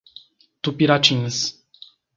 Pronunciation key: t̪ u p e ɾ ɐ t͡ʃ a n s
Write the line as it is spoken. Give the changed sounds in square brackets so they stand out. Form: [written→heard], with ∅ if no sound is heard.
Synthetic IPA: t̪ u p [e→i] ɾ [ɐ→a] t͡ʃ [a→i] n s